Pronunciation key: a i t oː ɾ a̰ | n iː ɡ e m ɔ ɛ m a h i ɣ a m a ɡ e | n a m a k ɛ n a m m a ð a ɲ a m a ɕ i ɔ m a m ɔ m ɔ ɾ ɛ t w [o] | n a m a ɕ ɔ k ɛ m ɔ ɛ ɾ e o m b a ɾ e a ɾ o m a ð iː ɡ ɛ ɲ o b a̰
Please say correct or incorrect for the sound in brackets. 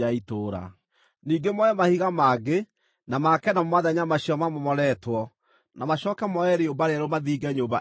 incorrect